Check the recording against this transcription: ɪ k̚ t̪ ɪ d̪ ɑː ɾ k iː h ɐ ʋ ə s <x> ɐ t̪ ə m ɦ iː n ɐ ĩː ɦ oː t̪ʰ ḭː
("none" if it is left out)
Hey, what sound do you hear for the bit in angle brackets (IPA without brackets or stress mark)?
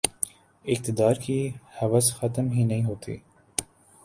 x